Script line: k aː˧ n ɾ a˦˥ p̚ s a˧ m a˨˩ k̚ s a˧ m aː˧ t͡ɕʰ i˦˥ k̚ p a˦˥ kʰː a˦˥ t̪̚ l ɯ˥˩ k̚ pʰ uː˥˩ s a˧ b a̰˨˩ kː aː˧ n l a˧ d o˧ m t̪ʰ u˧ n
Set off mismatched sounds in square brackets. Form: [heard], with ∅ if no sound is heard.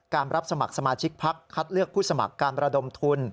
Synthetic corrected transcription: k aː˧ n ɾ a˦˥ p̚ s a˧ m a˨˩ k̚ s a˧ m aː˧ t͡ɕʰ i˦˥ k̚ [pʰ] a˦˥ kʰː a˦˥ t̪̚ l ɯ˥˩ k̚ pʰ uː˥˩ s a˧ [m] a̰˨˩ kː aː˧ n [ɾ] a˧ d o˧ m t̪ʰ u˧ n